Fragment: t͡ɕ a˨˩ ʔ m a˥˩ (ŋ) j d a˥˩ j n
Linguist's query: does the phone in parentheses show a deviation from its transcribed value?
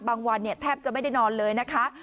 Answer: yes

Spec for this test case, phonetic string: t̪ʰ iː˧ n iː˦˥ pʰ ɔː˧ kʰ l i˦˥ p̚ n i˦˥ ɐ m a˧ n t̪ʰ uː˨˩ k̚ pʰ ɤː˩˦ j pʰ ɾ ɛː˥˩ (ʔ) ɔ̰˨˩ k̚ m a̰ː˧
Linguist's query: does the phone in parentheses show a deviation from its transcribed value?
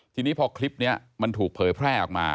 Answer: no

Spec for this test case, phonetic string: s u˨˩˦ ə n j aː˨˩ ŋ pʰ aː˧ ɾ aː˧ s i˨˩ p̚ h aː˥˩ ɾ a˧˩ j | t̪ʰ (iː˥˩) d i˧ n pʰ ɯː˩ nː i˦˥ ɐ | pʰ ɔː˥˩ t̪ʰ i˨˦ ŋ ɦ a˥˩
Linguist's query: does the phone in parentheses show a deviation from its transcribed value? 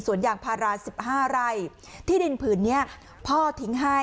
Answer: no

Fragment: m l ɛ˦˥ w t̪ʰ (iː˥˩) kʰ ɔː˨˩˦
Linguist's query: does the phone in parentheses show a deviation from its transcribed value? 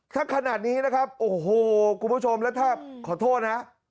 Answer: yes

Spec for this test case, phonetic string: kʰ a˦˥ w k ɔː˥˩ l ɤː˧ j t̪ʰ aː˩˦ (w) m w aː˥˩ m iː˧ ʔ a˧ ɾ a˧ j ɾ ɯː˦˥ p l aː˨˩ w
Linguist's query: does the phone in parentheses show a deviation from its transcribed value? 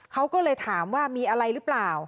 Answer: yes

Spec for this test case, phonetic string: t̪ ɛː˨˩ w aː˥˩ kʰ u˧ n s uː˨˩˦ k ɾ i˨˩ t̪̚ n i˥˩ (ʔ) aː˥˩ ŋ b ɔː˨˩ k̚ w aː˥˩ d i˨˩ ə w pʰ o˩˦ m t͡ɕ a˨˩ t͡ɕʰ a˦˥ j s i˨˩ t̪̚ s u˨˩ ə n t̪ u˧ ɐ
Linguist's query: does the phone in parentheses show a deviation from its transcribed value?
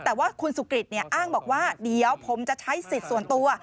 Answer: no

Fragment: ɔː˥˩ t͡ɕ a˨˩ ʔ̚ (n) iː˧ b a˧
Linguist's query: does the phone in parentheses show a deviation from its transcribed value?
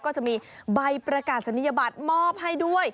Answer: yes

